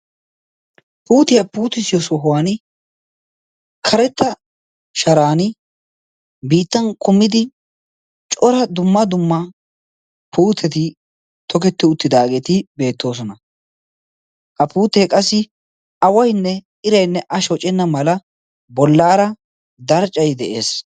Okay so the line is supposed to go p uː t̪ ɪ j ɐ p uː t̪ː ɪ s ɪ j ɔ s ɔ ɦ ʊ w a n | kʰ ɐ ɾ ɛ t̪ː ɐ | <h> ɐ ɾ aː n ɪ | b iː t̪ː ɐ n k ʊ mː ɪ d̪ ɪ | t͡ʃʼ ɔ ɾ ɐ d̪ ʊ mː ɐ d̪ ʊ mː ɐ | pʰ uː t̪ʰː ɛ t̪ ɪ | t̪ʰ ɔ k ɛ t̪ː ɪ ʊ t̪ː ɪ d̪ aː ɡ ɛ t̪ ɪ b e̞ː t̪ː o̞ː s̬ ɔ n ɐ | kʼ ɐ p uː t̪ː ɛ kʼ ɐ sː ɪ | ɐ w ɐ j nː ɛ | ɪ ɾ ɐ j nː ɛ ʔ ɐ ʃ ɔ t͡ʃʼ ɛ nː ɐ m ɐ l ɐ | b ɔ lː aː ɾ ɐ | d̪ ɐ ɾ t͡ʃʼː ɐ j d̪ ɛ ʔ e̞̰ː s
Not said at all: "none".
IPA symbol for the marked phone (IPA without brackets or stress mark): ʃ